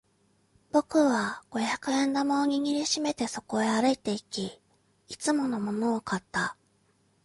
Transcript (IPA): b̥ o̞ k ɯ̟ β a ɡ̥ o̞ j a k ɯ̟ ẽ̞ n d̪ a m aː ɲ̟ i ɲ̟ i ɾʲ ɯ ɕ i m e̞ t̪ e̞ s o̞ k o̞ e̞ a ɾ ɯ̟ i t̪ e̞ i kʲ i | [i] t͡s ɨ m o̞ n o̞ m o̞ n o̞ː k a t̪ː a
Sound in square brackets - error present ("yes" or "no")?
no